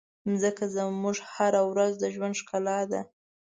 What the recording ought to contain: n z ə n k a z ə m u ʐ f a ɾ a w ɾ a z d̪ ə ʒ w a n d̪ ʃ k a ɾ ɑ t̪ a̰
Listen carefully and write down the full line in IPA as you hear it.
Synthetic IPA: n z ə k a z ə m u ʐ h a ɾ a w ɾ a z d̪ ə ʒ w a n d̪ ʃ k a l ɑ d̪ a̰